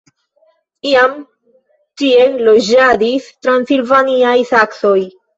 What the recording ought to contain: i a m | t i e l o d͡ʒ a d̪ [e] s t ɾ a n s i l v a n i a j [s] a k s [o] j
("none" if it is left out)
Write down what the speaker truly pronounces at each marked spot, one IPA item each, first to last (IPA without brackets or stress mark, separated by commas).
i, s, o